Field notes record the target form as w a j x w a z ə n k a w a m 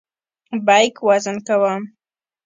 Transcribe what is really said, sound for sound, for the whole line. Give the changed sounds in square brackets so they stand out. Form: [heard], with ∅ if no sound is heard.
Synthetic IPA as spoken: [b] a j [k] w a z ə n k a w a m